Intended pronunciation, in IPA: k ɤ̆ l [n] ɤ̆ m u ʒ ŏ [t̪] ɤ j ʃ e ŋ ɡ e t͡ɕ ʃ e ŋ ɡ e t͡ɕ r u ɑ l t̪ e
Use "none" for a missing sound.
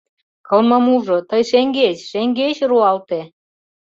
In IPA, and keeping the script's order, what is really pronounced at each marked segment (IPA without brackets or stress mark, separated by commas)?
m, t̪